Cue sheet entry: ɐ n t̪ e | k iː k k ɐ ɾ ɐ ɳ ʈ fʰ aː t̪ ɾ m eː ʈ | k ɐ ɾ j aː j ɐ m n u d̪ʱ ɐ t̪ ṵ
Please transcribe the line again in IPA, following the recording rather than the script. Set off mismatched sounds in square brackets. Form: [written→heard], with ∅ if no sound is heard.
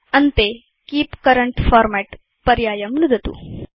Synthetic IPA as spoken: ɐ n t̪ e | k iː [k→p] k ɐ ɾ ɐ ɳ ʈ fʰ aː [t̪→∅] ɾ m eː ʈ | [k→p] ɐ ɾ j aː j ɐ m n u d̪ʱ ɐ t̪ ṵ